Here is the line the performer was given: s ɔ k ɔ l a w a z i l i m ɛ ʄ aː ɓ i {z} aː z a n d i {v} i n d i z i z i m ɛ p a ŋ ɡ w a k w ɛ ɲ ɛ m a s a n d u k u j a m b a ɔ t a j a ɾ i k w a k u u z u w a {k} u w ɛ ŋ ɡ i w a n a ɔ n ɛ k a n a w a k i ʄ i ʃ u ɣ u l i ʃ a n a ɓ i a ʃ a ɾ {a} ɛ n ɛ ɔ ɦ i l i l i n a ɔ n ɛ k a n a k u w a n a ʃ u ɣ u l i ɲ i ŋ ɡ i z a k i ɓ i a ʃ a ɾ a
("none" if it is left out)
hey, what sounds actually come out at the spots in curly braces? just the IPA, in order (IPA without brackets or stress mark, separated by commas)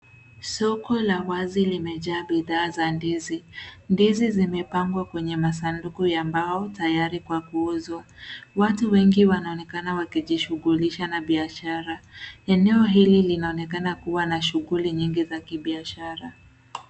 ð, z, t, a